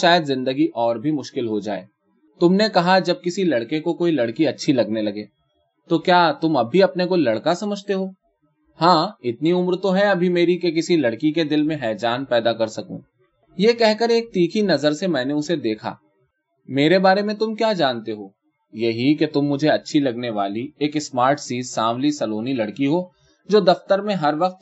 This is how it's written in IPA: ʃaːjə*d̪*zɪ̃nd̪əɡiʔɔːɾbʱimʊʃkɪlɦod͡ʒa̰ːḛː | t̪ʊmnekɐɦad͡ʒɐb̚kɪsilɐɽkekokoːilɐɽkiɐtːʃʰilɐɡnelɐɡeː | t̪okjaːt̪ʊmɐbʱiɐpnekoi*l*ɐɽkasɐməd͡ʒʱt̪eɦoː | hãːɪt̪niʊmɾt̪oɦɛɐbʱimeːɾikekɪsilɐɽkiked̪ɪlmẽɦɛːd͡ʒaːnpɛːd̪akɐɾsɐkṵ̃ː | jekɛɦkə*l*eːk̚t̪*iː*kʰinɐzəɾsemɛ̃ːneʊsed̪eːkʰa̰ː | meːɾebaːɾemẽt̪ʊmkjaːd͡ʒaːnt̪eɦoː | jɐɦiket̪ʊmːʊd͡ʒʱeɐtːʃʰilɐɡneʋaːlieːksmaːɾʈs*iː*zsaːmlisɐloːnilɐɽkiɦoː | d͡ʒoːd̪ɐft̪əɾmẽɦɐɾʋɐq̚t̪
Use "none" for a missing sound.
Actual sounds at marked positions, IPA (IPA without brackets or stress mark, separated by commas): d̪, l, ɾ, iː, iː